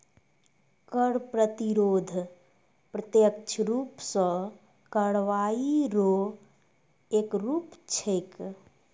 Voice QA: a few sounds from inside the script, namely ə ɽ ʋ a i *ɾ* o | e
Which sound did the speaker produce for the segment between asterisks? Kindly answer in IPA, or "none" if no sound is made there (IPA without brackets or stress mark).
ɾ